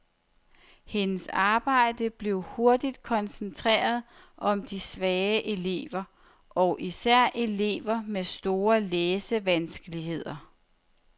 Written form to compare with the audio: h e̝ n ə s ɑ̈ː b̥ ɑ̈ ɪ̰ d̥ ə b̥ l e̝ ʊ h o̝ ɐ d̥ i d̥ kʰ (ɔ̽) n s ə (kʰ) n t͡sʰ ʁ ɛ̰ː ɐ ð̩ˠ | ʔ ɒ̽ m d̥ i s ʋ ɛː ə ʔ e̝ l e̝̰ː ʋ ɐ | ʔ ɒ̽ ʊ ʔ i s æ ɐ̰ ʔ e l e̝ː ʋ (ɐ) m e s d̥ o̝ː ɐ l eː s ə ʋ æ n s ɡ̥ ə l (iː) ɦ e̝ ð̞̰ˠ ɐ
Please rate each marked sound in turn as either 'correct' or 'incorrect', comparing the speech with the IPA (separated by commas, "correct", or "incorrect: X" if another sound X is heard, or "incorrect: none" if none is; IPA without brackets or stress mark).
incorrect: ɒ̽, incorrect: none, correct, incorrect: i